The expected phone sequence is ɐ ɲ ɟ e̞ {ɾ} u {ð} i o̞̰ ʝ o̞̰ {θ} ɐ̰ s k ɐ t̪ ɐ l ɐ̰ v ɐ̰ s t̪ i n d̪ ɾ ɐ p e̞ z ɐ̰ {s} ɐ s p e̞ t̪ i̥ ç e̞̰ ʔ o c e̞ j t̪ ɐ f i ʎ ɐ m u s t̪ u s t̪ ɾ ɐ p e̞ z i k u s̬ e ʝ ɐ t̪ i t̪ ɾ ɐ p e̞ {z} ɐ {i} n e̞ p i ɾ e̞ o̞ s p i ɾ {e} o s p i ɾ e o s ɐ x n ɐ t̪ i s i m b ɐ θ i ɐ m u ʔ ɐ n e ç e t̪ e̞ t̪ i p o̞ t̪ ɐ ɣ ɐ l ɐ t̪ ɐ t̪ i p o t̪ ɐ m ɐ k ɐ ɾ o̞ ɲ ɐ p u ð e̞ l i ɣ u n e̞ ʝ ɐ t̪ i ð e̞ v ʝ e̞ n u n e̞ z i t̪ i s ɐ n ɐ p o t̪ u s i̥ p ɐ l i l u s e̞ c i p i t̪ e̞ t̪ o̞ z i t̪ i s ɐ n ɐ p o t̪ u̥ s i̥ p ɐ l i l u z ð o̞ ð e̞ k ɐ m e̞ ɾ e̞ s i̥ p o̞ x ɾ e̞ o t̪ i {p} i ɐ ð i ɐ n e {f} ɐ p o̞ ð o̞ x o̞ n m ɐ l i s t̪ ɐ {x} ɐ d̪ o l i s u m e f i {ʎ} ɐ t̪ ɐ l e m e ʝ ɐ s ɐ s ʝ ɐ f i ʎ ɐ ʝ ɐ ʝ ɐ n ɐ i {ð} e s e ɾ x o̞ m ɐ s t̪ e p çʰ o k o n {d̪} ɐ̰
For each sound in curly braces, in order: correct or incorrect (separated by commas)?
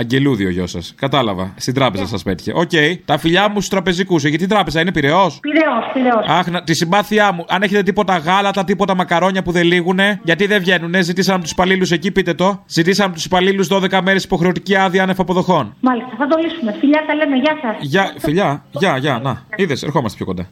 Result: incorrect, correct, incorrect, correct, correct, correct, correct, incorrect, correct, incorrect, correct, correct, correct